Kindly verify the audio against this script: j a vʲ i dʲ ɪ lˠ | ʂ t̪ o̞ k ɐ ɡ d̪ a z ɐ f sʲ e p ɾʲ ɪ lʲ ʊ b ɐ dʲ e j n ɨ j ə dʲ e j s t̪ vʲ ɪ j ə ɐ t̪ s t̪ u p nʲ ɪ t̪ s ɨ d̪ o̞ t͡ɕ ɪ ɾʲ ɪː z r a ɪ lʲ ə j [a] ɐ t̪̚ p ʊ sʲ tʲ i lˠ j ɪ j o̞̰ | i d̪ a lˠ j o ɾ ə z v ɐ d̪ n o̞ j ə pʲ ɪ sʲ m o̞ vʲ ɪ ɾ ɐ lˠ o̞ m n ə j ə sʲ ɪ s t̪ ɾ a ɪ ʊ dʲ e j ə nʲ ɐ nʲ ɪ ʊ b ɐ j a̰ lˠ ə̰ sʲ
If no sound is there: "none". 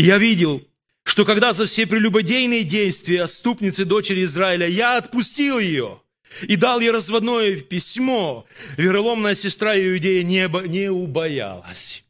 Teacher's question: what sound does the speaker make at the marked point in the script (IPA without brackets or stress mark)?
a